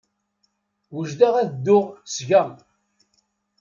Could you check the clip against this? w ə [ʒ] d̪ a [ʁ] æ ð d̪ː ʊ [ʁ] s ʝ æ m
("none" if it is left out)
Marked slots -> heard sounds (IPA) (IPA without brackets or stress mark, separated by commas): ʒ, ʁ, ʁ